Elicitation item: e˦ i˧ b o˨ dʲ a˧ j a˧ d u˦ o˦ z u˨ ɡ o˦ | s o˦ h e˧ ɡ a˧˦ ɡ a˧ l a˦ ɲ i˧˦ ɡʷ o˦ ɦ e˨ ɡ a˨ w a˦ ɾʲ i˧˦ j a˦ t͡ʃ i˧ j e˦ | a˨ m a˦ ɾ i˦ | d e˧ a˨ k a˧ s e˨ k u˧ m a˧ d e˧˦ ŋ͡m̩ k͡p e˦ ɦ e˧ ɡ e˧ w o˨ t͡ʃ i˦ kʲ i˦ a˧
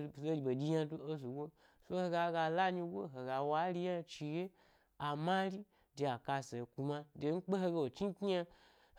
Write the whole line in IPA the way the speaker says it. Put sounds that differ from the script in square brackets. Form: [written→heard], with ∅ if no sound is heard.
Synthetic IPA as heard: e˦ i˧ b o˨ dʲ [a˧→i˧] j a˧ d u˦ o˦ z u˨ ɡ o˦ | s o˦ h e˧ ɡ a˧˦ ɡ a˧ l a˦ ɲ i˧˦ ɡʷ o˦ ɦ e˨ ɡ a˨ w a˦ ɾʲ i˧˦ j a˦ t͡ʃ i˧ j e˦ | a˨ m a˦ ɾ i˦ | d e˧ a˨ k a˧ s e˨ k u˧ m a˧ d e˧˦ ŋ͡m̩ k͡p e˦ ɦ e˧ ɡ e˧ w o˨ t͡ʃ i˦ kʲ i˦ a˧